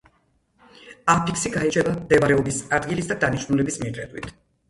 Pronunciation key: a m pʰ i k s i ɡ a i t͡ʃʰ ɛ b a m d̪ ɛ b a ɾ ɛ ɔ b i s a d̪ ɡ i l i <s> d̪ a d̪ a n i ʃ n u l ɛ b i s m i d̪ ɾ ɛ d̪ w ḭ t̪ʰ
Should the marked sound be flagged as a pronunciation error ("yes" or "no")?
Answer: no